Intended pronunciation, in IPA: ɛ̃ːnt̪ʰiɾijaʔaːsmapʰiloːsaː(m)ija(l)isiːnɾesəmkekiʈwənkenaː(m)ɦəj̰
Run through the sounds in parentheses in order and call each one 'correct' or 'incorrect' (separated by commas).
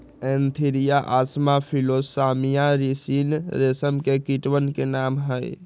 correct, incorrect, correct